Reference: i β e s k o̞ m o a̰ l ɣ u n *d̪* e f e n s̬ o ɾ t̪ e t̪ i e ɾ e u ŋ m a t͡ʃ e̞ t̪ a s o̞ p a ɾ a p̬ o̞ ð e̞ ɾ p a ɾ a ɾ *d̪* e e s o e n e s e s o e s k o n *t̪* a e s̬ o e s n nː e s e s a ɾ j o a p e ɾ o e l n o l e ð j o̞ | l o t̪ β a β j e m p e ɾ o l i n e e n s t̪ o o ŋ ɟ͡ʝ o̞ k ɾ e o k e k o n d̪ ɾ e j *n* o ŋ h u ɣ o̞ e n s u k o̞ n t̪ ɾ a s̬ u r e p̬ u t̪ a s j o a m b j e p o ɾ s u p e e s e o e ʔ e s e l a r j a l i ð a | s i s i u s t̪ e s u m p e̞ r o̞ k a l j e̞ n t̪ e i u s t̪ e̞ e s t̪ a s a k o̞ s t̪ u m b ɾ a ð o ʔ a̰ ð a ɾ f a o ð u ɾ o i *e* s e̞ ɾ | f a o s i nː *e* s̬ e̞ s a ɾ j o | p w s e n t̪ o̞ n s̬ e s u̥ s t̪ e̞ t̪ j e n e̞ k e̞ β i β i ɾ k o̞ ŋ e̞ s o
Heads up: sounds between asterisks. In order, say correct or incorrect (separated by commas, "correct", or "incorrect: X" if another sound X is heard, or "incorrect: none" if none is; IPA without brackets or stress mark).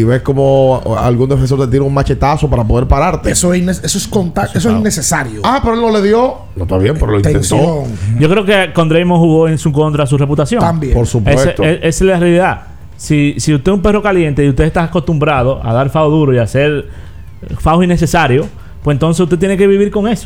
correct, incorrect: t̪, correct, incorrect: m, incorrect: a, correct